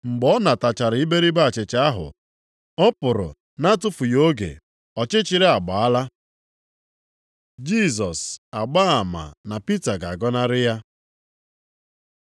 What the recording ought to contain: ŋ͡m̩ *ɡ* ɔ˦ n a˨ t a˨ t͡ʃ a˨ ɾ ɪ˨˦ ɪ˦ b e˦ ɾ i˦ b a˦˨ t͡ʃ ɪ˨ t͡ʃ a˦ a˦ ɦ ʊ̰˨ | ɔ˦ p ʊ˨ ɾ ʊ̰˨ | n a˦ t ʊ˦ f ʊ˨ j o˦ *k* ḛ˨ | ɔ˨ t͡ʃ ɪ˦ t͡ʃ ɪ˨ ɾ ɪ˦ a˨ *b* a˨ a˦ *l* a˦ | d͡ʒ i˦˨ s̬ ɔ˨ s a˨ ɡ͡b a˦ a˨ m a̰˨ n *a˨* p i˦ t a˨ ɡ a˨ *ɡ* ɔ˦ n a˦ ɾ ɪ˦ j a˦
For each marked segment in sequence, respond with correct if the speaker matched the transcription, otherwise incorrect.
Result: incorrect, incorrect, incorrect, correct, correct, correct

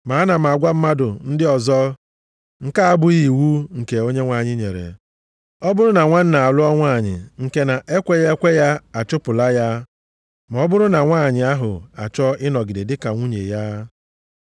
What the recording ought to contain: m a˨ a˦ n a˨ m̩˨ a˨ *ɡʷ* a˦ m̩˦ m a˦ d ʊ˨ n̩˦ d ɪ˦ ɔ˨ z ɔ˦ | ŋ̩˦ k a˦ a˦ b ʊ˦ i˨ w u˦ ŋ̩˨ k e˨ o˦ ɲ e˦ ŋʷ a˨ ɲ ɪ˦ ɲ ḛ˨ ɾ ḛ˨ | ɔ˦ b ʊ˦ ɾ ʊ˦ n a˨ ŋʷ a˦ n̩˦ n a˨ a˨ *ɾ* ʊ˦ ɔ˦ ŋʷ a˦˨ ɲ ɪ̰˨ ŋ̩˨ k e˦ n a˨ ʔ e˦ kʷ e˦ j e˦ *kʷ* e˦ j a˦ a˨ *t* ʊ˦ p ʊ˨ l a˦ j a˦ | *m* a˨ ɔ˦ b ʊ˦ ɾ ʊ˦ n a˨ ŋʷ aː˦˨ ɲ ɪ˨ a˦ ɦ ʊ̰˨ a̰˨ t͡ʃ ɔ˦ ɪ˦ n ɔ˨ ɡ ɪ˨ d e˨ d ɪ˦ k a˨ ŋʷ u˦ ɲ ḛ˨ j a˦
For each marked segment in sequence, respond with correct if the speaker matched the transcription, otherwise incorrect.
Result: correct, incorrect, correct, incorrect, correct

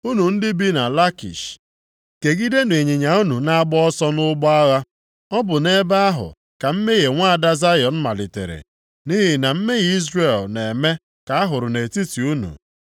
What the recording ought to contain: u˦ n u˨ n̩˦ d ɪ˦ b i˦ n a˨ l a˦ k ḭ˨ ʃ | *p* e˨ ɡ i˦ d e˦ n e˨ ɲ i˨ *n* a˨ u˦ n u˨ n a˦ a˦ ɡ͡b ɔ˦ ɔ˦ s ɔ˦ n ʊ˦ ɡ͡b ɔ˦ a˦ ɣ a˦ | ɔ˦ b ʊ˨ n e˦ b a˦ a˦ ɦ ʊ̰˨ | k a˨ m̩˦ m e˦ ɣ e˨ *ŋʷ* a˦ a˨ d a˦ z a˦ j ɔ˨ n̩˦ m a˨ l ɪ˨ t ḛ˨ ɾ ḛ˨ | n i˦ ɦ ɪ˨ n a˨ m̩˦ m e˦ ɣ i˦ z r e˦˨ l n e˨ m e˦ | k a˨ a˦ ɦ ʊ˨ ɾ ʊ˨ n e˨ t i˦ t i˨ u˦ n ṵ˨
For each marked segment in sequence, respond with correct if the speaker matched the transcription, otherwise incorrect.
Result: incorrect, incorrect, correct

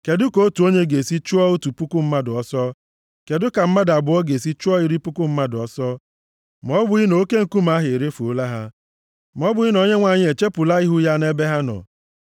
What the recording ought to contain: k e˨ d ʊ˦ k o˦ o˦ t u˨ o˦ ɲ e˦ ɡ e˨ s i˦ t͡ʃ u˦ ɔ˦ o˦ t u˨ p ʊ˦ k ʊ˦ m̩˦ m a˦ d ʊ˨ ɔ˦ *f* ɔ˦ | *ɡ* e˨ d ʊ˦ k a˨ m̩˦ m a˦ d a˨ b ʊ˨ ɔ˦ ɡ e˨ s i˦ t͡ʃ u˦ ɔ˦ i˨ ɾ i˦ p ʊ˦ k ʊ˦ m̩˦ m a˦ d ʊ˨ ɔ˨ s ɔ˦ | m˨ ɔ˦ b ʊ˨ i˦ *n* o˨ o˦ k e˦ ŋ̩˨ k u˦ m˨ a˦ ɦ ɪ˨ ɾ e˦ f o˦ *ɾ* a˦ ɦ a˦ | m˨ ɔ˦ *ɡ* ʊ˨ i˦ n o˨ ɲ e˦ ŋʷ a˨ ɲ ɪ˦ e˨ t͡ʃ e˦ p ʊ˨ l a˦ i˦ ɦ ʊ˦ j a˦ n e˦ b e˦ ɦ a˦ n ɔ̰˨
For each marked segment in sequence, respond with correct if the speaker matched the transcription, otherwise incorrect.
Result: incorrect, incorrect, correct, incorrect, incorrect

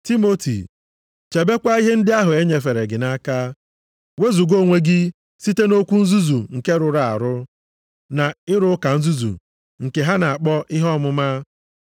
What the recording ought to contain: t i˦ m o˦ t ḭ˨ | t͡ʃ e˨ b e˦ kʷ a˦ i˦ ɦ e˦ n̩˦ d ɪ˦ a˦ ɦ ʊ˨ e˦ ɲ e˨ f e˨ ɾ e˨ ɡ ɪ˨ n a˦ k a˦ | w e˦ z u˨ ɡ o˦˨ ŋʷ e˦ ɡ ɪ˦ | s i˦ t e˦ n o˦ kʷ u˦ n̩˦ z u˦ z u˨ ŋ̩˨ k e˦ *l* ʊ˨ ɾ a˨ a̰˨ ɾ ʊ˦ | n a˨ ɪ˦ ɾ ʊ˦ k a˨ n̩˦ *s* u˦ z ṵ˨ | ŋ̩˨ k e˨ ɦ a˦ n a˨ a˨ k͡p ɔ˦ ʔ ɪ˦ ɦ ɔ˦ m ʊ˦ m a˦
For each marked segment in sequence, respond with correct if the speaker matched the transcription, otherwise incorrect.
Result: incorrect, incorrect

